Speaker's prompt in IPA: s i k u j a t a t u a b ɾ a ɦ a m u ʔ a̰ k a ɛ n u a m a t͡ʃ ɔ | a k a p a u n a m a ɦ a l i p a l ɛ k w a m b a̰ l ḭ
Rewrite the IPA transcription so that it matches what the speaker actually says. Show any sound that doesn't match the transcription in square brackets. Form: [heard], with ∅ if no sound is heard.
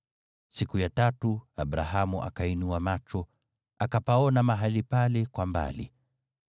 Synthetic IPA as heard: s i k u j a t a t u a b ɾ a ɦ a m u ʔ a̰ k a [i] n u a m a t͡ʃ ɔ | a k a p a [ɔ] n a m a ɦ a l i p a l ɛ k w a m b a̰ l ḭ